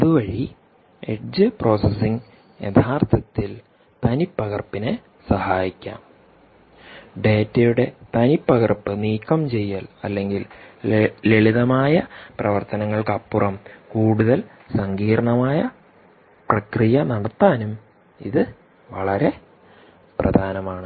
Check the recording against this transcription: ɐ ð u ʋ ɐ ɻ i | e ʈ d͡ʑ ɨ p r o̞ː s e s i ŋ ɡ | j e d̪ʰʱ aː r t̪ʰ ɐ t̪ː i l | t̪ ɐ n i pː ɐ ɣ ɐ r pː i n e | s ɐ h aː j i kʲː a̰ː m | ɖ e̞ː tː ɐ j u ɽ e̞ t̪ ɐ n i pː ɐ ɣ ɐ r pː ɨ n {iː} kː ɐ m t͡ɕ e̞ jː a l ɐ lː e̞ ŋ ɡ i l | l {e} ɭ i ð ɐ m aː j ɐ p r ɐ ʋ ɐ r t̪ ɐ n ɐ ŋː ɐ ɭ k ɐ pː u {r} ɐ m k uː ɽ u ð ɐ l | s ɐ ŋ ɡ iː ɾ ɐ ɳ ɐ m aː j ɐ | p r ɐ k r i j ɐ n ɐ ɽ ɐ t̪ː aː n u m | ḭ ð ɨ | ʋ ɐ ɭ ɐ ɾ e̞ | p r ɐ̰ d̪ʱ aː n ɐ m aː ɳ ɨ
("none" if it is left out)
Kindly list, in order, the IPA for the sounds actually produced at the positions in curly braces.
iː, e, r

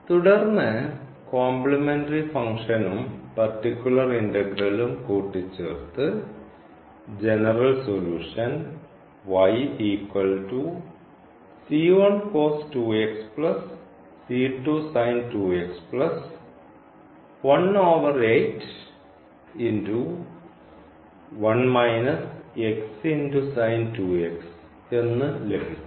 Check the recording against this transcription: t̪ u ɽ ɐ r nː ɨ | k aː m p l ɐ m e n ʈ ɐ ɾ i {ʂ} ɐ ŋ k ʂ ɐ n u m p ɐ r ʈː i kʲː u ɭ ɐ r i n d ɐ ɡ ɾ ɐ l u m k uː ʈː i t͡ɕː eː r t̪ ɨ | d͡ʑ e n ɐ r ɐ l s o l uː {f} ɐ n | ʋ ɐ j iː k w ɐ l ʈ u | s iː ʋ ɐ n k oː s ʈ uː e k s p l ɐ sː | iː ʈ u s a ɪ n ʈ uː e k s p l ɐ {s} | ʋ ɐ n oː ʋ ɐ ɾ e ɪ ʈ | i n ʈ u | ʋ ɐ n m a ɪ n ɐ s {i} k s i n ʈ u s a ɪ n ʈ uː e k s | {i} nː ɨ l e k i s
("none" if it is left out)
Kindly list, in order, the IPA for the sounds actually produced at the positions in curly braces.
f, ʂ, s, e, e

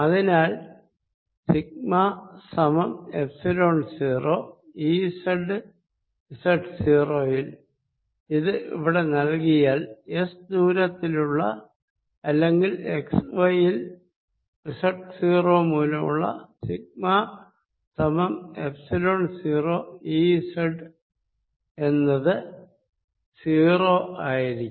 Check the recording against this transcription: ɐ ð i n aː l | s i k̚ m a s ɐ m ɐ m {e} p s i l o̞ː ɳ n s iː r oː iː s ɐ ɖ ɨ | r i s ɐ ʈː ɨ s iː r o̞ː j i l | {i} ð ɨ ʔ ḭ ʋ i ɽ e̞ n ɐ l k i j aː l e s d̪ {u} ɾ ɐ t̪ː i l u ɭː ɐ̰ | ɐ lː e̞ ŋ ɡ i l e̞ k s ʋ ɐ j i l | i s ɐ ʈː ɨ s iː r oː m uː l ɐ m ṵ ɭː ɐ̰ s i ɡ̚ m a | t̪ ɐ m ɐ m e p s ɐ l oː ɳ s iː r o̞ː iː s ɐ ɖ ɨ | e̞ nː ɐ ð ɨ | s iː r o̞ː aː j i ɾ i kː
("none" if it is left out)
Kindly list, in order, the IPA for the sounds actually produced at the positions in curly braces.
e, i, uː

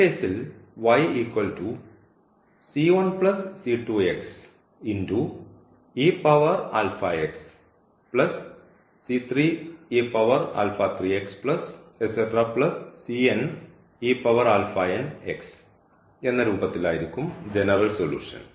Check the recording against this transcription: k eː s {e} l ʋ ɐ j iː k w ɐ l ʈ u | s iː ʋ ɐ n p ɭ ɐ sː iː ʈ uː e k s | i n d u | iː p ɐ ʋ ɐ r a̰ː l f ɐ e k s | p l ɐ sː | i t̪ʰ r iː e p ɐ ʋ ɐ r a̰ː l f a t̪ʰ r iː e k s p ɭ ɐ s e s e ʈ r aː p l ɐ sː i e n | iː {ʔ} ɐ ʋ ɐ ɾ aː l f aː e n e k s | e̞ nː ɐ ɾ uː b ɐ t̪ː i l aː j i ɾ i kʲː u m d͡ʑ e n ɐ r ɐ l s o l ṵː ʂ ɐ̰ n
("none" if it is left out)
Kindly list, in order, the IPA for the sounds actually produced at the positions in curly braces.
i, p

